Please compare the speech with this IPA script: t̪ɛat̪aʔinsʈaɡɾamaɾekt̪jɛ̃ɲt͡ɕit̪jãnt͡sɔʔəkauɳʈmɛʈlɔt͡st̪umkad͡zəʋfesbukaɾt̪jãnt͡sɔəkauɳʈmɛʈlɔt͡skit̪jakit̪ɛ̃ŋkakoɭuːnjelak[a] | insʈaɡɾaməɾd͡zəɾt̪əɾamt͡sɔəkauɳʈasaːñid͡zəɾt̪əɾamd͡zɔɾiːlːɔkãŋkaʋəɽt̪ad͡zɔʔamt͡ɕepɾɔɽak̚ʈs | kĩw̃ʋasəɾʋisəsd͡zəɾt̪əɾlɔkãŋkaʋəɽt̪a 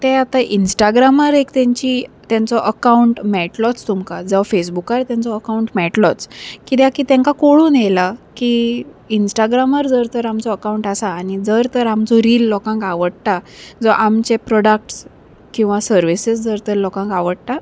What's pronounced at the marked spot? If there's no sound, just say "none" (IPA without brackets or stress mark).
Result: i